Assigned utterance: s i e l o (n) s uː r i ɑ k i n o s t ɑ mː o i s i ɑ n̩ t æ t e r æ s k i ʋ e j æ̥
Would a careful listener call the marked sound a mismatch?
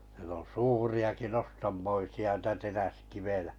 no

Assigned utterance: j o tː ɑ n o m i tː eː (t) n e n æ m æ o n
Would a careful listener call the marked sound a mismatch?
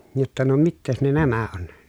yes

